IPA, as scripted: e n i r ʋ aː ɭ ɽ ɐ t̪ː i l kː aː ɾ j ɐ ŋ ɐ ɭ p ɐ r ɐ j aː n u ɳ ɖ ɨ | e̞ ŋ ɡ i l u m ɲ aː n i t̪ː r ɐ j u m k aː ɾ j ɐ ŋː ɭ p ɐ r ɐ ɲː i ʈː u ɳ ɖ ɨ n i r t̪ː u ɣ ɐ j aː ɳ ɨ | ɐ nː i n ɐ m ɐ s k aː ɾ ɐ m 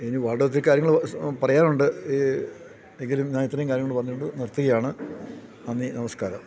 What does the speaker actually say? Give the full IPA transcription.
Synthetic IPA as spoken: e n i ʋ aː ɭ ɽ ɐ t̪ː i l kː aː ɾ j ɐ ŋ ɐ ɭ p ɐ r ɐ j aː n u ɳ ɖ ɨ | e̞ ŋ ɡ i l u m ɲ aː n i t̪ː r ɐ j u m k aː ɾ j ɐ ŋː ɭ p ɐ r ɐ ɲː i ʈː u ɳ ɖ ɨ n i r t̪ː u ɣ ɐ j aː ɳ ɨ | ɐ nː i n ɐ m ɐ s k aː ɾ ɐ m